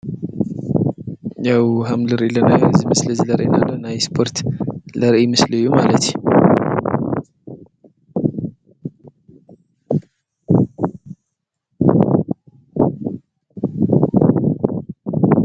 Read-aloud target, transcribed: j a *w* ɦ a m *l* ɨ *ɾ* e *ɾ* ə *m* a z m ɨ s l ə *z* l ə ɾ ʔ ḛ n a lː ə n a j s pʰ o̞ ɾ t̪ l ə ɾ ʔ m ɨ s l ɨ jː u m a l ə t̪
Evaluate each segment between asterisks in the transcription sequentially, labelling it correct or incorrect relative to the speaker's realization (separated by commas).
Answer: correct, correct, correct, incorrect, incorrect, correct